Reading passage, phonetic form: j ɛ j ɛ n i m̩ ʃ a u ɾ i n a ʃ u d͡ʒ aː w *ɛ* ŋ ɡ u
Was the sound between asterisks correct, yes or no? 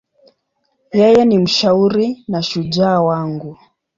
no